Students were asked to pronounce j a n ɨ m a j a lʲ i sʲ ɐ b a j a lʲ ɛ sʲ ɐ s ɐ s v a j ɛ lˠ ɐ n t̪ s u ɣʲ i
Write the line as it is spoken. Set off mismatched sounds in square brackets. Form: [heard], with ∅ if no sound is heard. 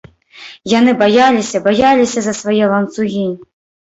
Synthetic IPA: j a n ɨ [b] a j a lʲ i sʲ ɐ b a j a lʲ [i] sʲ ɐ [z] ɐ s v a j ɛ lˠ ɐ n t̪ s u ɣʲ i